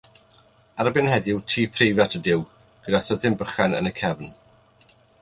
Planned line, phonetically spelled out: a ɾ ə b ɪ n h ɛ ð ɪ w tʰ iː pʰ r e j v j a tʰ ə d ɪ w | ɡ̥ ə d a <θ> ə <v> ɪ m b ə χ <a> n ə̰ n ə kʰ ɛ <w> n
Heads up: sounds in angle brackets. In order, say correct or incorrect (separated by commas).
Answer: correct, incorrect, correct, incorrect